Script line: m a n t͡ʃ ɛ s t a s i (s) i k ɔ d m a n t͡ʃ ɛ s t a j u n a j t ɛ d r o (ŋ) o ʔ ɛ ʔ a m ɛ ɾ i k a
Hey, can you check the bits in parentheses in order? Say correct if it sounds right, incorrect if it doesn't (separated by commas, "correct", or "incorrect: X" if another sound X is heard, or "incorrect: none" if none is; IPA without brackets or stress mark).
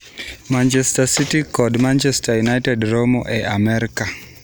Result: incorrect: t, incorrect: m